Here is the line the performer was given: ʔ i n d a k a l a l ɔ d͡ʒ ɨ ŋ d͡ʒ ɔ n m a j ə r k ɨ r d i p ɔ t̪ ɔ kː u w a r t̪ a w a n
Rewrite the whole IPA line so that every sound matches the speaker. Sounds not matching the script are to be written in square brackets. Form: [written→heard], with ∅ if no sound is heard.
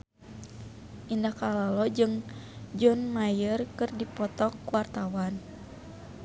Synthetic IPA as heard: ʔ i n d a k a l a l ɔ d͡ʒ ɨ ŋ d͡ʒ ɔ n m a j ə r k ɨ r d i p ɔ t̪ ɔ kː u w a r t̪ a w a n